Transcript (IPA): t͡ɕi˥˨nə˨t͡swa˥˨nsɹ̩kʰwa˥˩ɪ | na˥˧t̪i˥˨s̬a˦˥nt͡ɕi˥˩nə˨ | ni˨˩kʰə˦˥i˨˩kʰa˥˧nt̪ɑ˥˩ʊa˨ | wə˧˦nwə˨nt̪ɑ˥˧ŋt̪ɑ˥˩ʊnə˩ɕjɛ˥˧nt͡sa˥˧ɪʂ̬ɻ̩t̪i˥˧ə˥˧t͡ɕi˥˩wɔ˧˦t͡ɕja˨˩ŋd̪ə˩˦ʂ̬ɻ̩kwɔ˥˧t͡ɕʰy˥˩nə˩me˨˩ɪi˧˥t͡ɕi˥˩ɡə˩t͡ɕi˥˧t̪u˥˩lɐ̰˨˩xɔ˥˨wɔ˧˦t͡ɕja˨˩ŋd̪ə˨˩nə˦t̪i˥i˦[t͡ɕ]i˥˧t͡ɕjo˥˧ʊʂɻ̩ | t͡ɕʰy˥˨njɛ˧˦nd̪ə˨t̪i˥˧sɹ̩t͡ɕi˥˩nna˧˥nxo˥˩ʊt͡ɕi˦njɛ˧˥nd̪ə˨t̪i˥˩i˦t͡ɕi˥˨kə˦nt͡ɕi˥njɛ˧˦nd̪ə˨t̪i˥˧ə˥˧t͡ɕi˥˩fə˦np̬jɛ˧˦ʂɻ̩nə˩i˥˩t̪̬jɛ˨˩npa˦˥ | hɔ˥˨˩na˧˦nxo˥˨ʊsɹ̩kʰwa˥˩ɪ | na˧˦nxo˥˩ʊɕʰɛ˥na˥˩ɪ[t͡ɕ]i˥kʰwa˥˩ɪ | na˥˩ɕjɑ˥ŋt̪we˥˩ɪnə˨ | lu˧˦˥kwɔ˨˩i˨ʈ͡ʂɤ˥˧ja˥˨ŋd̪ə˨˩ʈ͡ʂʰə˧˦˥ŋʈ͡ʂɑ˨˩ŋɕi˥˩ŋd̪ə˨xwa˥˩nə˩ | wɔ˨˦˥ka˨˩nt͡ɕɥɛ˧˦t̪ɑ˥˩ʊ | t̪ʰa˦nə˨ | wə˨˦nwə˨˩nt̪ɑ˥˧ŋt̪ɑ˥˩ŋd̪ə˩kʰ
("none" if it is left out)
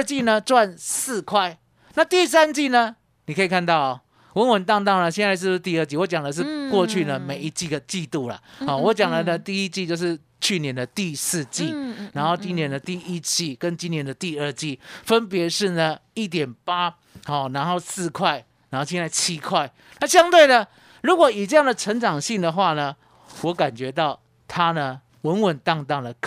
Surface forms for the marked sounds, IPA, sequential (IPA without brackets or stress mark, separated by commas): t͡ɕ, t͡ɕʰ